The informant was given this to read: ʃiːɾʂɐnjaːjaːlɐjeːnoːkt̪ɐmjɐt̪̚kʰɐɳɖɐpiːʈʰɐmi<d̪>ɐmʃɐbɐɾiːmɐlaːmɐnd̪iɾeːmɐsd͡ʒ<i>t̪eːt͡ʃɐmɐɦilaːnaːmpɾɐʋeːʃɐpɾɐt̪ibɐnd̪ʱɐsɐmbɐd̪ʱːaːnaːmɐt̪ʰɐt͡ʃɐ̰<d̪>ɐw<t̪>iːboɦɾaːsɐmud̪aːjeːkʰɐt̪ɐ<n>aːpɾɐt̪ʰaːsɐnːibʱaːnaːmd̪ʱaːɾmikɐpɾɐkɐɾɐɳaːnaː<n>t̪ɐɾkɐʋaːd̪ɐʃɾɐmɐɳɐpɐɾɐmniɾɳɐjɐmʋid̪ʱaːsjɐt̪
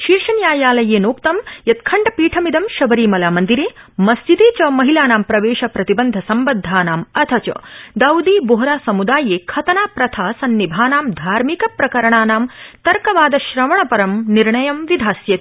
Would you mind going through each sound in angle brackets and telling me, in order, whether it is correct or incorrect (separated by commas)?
correct, correct, correct, incorrect, correct, incorrect